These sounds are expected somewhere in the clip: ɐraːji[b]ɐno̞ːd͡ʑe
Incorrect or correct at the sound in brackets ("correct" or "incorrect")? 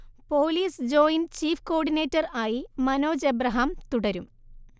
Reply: incorrect